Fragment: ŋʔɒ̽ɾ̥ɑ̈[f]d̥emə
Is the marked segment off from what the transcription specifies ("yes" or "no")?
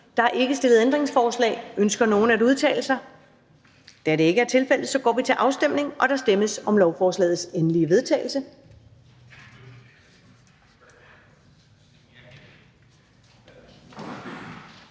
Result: yes